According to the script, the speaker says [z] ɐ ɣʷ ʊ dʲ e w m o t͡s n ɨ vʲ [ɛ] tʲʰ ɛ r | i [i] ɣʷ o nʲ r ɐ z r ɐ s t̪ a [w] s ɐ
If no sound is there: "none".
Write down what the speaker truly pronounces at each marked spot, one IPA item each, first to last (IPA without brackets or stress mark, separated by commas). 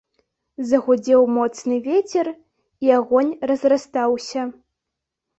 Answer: z, e, a, w